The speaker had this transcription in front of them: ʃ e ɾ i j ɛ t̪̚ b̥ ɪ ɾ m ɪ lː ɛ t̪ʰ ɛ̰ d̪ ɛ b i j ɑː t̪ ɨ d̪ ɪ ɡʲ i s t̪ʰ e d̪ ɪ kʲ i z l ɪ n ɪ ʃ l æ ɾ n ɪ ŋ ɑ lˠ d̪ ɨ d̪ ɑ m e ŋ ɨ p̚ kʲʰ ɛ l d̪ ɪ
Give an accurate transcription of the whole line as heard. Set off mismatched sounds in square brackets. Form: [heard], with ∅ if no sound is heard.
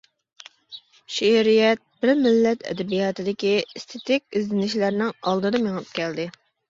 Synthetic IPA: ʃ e ɾ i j ɛ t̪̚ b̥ ɪ ɾ m ɪ lː ɛ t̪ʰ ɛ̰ d̪ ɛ b i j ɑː t̪ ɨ d̪ ɪ [kʲ] i s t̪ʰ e [t̪] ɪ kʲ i z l ɪ n ɪ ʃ l æ ɾ n ɪ ŋ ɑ lˠ d̪ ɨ d̪ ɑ m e ŋ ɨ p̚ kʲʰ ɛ l d̪ ɪ